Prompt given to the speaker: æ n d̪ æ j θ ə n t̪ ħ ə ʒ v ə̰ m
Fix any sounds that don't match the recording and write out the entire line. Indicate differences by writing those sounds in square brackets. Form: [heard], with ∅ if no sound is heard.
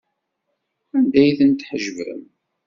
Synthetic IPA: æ n d̪ æ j θ ə n t̪ ħ ə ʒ v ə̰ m

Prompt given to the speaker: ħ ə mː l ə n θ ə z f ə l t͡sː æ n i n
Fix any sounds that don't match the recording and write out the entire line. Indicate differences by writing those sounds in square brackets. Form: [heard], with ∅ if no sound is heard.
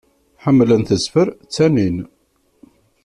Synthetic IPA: ħ ə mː l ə n θ ə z f ə [ɾ] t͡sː æ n i n

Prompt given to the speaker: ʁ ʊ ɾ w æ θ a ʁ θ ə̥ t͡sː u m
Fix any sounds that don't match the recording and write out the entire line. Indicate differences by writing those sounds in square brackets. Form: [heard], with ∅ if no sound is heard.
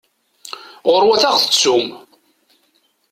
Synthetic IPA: ʁ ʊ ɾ w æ θ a ʁ θ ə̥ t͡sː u m

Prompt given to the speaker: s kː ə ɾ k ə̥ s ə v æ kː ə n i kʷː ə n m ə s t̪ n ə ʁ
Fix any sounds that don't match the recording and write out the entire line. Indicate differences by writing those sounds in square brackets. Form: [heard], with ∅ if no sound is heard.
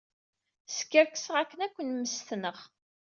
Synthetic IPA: s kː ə ɾ k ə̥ s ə [ʁ] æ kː ə n [æ] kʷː ə n m ə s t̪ n ə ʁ

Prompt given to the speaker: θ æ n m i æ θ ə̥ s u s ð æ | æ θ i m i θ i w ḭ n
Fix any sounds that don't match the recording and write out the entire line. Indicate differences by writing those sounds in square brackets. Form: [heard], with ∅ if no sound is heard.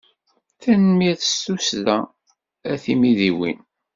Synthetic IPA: θ æ n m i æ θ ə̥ s u s ð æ | æ θ i m i [ð] i w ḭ n

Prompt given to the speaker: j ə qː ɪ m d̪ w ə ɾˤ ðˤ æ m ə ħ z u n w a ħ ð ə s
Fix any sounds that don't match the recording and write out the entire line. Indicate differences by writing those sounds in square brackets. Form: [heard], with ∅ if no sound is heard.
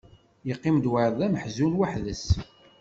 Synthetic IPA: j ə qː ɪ m d̪ w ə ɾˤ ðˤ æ m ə ħ z u n w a ħ ð ə s

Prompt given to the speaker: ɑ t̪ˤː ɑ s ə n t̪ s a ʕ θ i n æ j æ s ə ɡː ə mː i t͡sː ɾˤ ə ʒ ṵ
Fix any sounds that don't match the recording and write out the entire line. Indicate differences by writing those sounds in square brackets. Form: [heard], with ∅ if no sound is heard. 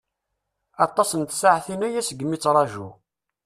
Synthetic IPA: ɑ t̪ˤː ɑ s ə n t̪ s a ʕ θ i n æ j æ s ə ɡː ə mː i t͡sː ɾˤ [ɑ] ʒ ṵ

